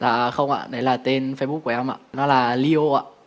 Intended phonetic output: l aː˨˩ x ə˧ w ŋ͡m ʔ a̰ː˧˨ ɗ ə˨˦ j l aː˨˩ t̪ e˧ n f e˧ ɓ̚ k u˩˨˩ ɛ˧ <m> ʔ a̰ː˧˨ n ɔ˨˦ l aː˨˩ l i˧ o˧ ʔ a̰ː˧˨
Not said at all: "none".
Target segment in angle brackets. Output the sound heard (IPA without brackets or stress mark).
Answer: m